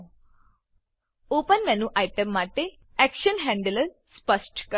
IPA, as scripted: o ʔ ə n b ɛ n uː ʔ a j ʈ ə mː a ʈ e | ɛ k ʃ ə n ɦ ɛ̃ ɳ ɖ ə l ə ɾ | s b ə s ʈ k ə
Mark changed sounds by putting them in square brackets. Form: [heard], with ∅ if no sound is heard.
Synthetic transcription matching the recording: o [p] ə n [m] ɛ n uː ʔ a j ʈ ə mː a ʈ e | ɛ k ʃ ə n ɦ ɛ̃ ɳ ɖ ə l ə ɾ | s [p] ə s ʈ k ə